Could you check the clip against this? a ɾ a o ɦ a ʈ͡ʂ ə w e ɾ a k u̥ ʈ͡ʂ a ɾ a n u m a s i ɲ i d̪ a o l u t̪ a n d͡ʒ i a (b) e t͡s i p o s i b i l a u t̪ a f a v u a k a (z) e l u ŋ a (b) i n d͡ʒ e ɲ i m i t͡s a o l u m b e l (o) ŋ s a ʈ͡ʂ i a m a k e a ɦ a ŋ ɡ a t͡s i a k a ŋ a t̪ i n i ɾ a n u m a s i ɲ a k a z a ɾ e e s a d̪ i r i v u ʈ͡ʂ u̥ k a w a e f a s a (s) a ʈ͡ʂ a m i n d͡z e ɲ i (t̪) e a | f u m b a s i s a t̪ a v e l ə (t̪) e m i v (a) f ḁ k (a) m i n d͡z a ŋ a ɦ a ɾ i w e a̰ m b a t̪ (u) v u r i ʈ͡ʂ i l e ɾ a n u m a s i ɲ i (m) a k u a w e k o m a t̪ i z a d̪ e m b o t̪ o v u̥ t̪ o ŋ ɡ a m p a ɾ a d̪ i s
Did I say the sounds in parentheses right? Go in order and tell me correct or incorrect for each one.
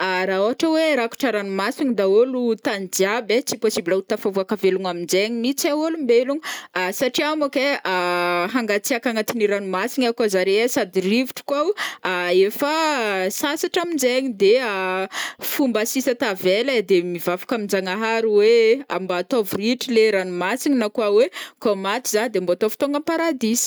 correct, incorrect: v, incorrect: m, incorrect: u, correct, incorrect: d̪, incorrect: d̪, correct, correct, incorrect: o, incorrect: n

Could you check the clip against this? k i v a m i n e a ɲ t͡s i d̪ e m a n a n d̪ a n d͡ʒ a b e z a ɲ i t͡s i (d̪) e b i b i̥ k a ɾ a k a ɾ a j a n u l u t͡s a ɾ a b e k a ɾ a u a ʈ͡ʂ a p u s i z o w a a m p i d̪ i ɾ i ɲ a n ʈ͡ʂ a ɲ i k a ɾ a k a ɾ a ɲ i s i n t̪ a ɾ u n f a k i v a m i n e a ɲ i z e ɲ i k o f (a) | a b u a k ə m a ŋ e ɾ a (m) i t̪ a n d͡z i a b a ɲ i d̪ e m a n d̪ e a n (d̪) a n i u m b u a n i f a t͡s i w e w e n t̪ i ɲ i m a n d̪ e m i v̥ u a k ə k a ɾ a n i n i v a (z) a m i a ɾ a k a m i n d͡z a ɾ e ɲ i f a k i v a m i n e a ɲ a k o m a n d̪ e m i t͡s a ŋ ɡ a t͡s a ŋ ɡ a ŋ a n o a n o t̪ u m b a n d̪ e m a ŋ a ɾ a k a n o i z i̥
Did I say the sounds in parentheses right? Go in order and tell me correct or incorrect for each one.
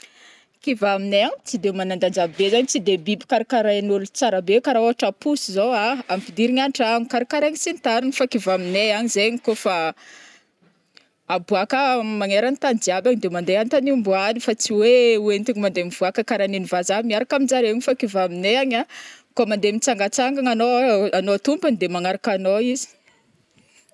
correct, correct, incorrect: n, incorrect: t̪, correct

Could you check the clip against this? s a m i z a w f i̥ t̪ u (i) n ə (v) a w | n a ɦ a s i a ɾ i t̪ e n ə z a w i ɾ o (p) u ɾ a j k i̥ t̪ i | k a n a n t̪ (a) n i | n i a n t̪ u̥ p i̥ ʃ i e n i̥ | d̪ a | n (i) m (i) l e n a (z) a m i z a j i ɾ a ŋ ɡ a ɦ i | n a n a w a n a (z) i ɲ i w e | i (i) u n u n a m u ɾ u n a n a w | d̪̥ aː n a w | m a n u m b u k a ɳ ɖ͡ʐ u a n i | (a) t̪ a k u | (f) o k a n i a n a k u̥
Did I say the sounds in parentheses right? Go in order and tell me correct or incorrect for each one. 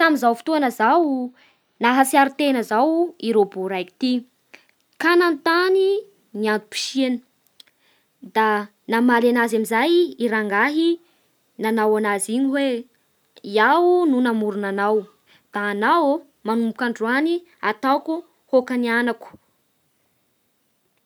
incorrect: a, incorrect: z, incorrect: b, correct, incorrect: a, incorrect: a, correct, correct, incorrect: a, correct, incorrect: h

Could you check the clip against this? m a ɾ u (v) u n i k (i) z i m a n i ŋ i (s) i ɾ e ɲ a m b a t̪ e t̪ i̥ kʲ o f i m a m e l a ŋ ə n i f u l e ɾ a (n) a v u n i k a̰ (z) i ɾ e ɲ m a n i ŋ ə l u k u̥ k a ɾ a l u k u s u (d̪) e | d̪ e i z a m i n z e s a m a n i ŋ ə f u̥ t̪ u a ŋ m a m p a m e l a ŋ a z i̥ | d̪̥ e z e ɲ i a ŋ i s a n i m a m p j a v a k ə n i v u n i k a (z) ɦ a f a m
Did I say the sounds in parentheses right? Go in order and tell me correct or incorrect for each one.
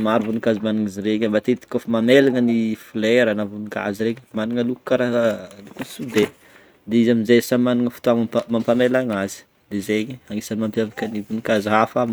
correct, incorrect: a, incorrect: z, correct, correct, correct, correct

